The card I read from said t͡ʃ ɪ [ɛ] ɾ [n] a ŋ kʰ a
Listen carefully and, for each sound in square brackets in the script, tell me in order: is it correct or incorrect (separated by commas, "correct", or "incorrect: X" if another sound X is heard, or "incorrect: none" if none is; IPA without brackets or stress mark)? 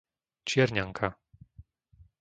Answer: correct, incorrect: ɲ